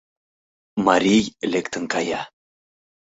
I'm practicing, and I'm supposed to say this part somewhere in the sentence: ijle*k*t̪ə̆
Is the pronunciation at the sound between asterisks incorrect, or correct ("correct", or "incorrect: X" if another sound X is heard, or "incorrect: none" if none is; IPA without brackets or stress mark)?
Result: correct